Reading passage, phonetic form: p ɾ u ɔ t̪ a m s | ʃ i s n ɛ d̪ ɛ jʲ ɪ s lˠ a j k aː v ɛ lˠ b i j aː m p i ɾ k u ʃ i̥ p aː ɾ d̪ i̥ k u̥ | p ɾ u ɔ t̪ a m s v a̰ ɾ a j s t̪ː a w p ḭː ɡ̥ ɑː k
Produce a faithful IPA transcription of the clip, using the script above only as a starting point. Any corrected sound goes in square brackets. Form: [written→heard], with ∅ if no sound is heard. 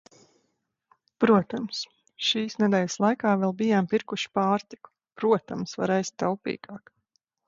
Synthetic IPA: p ɾ u ɔ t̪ a m s | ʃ [i→iː] s n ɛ d̪ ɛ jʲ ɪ s lˠ a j k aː v ɛ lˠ b i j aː m p i ɾ k u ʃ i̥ p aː ɾ [d̪→t̪] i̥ k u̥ | p ɾ u ɔ t̪ a m s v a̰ ɾ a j s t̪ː a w p ḭː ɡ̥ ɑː k